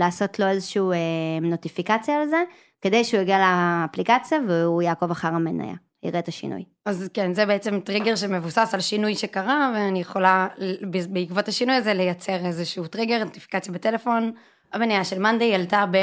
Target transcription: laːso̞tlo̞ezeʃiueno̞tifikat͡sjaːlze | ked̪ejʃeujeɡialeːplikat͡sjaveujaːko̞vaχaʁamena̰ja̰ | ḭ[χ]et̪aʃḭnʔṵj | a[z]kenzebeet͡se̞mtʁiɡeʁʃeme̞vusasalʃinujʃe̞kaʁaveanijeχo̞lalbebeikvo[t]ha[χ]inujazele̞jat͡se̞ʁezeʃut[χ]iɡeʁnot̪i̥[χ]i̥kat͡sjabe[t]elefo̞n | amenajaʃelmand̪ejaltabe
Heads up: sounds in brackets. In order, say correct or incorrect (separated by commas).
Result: incorrect, correct, correct, incorrect, incorrect, incorrect, correct